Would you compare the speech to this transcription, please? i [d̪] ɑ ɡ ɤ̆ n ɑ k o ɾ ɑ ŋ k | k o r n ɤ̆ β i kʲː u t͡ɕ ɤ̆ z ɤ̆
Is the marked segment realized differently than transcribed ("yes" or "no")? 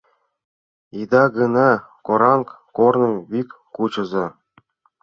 no